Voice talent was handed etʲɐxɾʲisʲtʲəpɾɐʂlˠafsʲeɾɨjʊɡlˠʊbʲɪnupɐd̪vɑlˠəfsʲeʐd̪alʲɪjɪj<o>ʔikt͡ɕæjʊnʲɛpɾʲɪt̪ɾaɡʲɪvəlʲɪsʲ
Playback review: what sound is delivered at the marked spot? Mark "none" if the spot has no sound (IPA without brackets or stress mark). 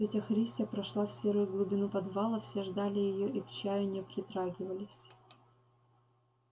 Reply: o